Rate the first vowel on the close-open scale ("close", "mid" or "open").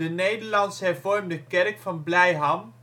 mid